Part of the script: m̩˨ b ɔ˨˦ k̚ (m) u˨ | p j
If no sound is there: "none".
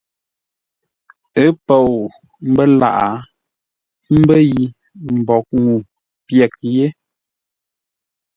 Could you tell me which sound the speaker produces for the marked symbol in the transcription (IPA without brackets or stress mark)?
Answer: ŋ